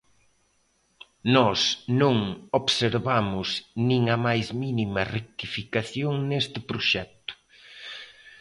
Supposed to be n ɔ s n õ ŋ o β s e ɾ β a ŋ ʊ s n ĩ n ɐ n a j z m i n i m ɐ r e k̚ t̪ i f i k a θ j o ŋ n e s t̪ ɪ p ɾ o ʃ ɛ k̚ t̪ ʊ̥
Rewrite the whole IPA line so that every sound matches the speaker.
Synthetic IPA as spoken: n ɔ s n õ ŋ o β s e ɾ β a m ʊ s n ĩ ŋ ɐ m a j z m i n i m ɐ r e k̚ t̪ i f i k a θ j o ŋ n e s t̪ ɪ p ɾ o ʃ ɛ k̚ t̪ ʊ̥